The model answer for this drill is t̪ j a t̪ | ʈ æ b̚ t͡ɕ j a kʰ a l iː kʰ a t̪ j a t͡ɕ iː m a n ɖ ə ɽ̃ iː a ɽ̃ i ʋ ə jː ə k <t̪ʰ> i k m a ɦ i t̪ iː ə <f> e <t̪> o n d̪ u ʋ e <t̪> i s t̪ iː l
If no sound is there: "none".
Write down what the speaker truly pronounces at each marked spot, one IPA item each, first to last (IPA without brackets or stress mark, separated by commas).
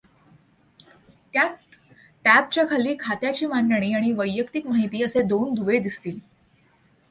t̪, s, d̪, d̪